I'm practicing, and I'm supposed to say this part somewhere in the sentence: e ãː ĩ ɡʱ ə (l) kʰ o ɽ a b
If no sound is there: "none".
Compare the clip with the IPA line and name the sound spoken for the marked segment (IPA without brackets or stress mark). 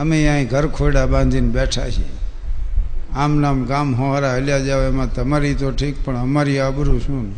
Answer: ɾ